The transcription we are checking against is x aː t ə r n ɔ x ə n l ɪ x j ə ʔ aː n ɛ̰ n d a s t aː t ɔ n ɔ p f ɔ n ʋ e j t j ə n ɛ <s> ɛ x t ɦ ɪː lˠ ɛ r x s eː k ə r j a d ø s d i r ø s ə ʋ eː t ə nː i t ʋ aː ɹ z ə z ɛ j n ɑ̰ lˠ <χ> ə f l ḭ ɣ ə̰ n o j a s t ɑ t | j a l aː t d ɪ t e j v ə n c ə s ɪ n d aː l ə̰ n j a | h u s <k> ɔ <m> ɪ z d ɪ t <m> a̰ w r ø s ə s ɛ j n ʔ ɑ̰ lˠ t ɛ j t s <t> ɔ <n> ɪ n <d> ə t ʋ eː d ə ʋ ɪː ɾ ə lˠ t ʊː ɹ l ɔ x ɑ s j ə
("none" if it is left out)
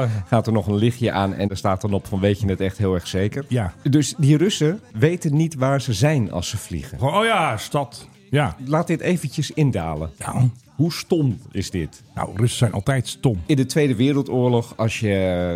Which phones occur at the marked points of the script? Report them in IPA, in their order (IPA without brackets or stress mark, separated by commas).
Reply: t, s, t, m, n, t, m, d